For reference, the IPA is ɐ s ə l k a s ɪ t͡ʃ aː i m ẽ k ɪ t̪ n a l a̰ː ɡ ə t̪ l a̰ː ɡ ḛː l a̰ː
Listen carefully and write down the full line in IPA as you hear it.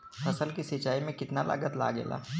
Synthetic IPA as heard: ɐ s ə l k i s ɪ t͡ʃ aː i m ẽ k ɪ t̪ n a l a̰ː ɡ ə t̪ l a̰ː ɡ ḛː l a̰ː